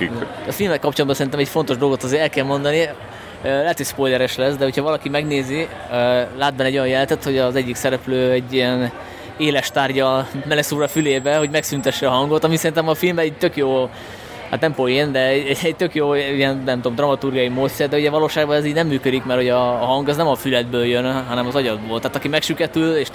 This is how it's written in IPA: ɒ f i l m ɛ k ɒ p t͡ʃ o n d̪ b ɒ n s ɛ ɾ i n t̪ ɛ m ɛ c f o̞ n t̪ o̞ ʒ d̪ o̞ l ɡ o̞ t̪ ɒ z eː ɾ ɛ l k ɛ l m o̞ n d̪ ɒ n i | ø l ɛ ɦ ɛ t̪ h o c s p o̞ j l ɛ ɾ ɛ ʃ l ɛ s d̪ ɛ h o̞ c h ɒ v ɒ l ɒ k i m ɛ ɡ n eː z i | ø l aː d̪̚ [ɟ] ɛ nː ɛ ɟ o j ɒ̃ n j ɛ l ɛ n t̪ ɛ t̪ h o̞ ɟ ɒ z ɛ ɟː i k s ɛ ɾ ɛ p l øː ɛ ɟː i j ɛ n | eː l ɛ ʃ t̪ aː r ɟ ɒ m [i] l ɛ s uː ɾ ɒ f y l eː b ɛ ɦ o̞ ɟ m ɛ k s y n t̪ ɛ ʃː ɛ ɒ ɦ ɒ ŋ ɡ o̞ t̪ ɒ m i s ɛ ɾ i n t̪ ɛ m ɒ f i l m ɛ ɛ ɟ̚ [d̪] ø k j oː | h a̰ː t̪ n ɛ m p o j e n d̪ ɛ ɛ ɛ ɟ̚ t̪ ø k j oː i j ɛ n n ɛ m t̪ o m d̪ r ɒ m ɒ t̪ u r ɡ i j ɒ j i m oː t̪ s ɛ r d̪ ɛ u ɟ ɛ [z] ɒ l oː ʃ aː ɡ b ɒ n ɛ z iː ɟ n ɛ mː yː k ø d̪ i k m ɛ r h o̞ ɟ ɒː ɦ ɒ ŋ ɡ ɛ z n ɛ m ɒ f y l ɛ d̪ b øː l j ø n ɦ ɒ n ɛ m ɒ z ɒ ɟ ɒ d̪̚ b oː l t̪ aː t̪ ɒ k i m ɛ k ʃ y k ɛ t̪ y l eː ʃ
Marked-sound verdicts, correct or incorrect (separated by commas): incorrect, incorrect, incorrect, incorrect